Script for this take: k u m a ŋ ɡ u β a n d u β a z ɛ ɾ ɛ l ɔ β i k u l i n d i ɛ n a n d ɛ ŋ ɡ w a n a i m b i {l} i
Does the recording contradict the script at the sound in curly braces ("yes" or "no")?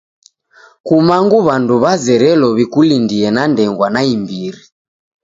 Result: yes